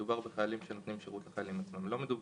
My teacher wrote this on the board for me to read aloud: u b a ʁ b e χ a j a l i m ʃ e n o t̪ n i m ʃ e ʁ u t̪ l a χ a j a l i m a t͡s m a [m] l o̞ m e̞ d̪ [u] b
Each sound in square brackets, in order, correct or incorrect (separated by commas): correct, correct